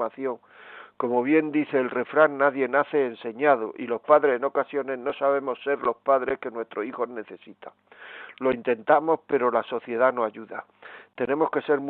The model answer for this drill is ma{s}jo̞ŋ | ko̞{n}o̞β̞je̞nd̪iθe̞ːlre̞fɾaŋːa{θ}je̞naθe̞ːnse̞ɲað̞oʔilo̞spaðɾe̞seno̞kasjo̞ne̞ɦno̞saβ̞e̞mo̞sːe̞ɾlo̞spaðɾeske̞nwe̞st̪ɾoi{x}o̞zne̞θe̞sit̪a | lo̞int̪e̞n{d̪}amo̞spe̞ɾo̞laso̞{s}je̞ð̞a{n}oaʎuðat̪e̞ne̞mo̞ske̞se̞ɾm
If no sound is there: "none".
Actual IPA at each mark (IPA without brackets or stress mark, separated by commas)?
θ, m, ð, x, t̪, θ, n